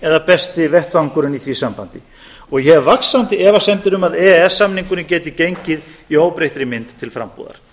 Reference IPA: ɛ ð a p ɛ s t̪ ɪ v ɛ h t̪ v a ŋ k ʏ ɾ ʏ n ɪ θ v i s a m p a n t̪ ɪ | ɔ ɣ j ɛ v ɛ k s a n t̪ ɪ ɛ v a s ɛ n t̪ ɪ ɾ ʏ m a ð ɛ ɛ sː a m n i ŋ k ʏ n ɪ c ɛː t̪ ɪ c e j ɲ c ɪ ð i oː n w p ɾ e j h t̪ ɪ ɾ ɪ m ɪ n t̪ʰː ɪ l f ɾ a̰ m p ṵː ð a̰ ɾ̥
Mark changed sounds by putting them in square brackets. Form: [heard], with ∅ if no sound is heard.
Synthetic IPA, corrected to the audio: ɛ ð a p ɛ s t̪ ɪ v ɛ h t̪ v a ŋ k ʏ ɾ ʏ n [i] θ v i s a m p a n t̪ ɪ | ɔ ɣ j ɛ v [a] k s a n t̪ ɪ ɛ v a s ɛ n t̪ ɪ ɾ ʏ m a ð ɛ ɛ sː a m n i ŋ k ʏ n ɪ c ɛː t̪ ɪ c e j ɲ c ɪ ð i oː [∅] w p ɾ e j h t̪ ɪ ɾ ɪ m ɪ n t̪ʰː ɪ l f ɾ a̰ m p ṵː ð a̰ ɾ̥